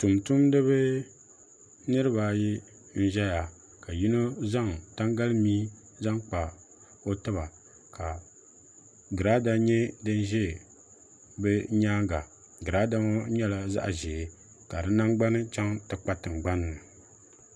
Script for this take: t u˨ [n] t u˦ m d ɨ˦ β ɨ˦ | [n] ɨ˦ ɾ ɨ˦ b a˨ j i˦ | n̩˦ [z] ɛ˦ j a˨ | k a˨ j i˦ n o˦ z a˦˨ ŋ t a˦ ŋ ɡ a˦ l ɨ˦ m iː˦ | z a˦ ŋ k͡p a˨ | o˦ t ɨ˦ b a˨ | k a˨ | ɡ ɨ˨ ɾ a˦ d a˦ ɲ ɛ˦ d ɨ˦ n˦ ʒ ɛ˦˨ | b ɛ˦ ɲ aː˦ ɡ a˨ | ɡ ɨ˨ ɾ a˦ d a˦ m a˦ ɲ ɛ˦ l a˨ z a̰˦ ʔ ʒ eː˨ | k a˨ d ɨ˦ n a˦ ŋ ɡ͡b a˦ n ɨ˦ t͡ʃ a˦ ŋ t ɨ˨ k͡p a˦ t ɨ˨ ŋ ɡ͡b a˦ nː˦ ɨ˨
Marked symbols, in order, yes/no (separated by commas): no, yes, no